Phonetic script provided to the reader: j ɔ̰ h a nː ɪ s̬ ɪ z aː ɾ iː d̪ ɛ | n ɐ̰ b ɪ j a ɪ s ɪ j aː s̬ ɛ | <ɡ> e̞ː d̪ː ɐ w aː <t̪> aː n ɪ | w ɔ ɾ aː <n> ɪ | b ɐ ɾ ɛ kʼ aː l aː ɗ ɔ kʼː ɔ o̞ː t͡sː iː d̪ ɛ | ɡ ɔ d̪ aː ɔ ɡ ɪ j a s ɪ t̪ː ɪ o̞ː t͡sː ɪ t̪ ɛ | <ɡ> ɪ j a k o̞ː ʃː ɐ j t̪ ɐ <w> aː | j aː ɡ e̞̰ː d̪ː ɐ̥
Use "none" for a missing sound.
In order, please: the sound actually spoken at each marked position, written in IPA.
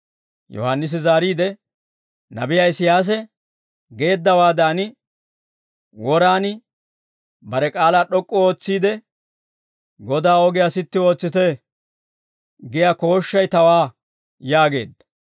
ɡ, d̪, n, ɡ, w

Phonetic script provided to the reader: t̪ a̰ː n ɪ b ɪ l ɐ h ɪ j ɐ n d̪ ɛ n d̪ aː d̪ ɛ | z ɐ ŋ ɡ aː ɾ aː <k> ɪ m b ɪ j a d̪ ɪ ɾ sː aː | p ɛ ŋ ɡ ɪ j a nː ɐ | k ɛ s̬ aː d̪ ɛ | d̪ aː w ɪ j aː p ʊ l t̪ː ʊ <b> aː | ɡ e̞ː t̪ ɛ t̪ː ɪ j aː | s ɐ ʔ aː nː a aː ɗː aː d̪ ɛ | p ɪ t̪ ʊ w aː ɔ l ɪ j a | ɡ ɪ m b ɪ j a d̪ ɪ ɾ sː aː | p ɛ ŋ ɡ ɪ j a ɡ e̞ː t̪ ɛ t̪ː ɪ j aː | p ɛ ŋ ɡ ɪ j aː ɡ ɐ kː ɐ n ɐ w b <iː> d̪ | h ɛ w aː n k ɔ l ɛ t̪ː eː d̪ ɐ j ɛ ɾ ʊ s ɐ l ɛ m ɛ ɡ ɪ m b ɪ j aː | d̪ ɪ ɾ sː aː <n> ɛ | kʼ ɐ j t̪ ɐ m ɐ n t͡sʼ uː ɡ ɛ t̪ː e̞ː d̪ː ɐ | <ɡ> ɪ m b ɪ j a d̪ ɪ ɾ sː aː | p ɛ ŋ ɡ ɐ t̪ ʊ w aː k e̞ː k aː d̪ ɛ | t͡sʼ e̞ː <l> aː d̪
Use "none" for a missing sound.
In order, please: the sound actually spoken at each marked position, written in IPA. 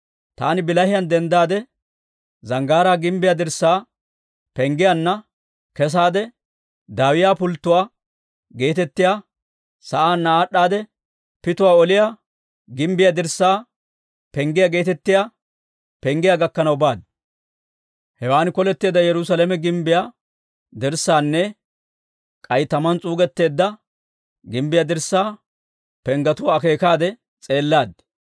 ɡ, w, aː, nː, ɡ, lː

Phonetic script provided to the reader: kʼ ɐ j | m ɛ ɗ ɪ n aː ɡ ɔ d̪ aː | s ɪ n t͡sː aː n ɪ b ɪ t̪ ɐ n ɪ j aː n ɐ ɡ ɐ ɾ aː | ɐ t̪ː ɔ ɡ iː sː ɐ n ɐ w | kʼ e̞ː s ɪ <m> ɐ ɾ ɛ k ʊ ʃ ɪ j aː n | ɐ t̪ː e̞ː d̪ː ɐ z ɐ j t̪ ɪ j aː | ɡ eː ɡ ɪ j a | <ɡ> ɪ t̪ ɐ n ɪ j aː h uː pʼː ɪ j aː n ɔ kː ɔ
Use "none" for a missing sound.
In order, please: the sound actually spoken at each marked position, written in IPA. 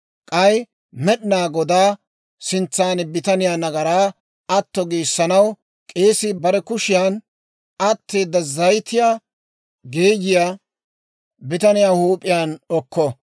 b, b

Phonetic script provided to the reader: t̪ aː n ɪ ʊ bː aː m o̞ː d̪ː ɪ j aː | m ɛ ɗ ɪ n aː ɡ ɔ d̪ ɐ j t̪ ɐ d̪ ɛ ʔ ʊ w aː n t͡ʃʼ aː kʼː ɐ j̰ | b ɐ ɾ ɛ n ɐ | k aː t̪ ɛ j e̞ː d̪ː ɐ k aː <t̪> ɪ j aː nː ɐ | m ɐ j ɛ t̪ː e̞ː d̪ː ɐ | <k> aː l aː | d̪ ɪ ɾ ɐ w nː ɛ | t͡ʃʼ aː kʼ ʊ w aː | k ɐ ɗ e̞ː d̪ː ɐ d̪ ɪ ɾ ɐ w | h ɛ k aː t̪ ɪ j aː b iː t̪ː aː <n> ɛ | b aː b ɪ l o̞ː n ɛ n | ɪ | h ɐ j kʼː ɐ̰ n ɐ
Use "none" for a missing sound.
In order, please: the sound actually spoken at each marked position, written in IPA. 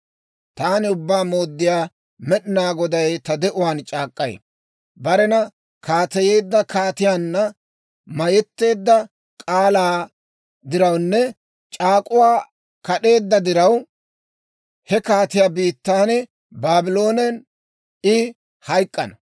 t̪, kʼ, n

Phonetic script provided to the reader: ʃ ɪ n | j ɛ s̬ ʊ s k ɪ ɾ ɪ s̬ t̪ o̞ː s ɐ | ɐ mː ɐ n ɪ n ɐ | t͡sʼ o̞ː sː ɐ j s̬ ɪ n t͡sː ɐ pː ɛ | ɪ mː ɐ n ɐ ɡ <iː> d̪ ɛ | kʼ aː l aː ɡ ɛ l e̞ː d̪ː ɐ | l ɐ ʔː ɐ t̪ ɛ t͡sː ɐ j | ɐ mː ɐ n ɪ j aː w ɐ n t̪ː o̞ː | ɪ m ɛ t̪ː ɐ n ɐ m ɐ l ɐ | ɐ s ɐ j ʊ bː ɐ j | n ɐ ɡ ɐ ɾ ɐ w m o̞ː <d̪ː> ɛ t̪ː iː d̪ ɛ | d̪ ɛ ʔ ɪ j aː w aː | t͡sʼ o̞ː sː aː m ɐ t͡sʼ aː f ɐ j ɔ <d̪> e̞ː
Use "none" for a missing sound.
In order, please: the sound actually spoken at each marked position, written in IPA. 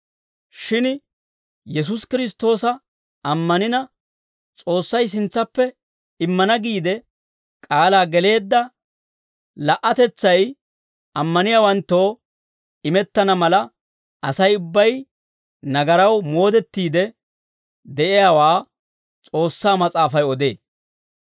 iː, d̪, d̪

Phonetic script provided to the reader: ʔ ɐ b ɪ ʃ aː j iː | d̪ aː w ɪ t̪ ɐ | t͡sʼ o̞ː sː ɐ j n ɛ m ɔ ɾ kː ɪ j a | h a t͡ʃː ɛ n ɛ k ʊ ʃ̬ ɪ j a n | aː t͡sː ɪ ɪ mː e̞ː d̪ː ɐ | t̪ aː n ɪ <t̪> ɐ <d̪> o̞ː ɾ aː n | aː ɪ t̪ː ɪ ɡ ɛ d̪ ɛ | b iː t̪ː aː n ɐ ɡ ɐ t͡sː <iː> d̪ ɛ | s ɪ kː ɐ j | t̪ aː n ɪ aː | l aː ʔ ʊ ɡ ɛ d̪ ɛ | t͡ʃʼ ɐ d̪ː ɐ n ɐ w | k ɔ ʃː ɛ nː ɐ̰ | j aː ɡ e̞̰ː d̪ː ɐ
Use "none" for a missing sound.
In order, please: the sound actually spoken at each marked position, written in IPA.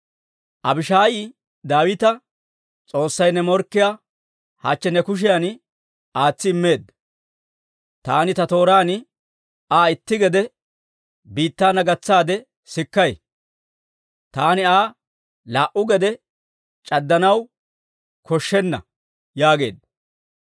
t̪, t̪, aː

